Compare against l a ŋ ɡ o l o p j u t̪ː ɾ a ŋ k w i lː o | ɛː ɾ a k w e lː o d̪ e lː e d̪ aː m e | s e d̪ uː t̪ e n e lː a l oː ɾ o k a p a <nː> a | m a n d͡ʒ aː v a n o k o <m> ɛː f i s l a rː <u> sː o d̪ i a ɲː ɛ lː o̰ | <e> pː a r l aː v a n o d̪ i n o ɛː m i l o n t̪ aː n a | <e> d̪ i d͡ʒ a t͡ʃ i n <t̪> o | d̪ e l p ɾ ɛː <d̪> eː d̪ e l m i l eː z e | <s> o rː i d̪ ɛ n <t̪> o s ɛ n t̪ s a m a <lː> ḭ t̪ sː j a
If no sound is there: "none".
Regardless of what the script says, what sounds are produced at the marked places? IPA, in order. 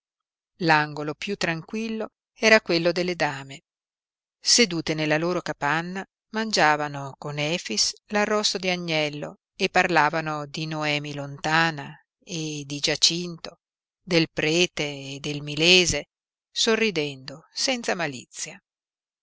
nː, n, ɔ, e, e, t̪, t̪, s, d̪, l

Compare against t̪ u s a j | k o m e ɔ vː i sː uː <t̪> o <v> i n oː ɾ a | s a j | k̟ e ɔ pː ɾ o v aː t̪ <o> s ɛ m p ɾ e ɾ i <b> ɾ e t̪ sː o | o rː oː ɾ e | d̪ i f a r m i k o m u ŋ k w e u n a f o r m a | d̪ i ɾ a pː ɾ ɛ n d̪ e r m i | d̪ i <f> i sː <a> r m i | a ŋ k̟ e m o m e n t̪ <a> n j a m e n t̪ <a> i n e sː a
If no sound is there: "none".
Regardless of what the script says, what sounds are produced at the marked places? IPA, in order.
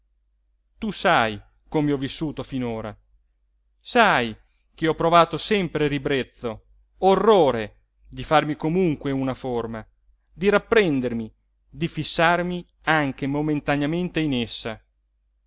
t̪, f, o, b, f, a, a, e

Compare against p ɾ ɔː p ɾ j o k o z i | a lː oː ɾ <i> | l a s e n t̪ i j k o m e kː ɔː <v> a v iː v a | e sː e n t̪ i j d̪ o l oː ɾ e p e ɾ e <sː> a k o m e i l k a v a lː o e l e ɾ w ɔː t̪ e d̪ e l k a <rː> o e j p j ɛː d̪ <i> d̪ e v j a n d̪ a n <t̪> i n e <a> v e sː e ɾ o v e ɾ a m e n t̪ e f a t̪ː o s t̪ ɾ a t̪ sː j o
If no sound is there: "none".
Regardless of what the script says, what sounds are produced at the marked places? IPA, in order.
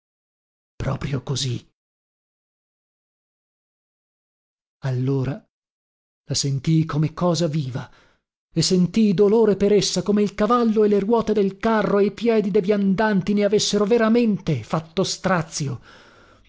a, z, sː, rː, i, t̪, a

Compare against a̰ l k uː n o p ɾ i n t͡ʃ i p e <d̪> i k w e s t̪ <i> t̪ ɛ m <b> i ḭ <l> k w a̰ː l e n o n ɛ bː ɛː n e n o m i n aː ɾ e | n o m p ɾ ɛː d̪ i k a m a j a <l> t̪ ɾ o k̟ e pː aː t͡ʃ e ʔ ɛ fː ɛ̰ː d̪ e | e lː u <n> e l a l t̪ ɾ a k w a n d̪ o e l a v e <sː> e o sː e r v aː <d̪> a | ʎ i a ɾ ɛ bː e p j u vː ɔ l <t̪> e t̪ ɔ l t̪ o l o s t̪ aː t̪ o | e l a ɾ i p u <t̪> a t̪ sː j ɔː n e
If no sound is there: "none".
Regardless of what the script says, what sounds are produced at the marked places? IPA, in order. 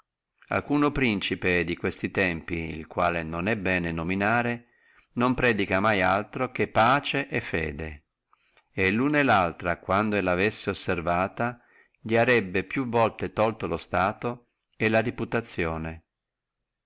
d̪, i, p, l, l, n, sː, t̪, t̪, t̪

